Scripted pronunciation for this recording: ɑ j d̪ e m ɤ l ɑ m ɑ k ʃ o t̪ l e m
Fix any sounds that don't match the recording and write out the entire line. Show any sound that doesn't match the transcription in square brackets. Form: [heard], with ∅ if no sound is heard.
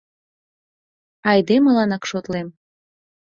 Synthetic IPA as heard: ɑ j d̪ e m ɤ l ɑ [n] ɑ k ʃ o t̪ l e m